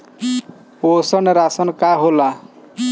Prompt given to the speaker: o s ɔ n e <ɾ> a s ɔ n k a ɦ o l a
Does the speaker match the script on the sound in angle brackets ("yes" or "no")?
yes